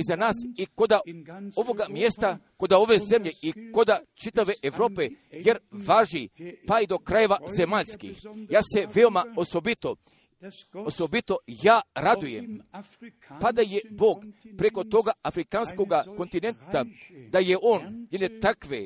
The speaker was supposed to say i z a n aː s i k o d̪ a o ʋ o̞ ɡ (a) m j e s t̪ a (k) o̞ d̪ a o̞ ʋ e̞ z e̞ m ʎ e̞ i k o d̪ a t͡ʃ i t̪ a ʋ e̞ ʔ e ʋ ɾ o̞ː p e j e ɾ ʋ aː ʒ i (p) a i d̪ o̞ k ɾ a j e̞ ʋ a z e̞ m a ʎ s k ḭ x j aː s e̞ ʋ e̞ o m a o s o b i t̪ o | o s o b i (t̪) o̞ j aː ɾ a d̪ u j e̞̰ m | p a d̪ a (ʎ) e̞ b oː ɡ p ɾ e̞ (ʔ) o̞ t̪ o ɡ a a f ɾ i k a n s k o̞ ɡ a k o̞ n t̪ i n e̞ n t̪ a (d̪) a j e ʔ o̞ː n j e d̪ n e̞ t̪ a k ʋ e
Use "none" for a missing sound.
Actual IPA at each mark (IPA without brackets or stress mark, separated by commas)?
a, k, p, t̪, j, k, d̪